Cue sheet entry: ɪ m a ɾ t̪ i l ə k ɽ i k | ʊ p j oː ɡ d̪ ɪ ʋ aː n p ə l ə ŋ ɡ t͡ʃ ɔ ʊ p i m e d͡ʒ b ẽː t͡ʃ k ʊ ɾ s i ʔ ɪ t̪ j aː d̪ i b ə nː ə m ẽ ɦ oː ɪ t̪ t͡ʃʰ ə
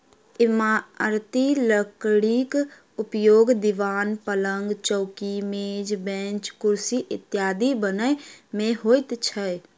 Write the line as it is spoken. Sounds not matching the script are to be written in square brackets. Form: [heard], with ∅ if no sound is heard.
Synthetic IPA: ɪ m a ɾ t̪ i l ə k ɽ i k | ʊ p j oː ɡ d̪ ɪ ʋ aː n p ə l ə ŋ ɡ t͡ʃ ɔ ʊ [k] i m e d͡ʒ b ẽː t͡ʃ k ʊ ɾ s i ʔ ɪ t̪ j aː d̪ i b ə [n] ə m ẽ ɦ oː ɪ t̪ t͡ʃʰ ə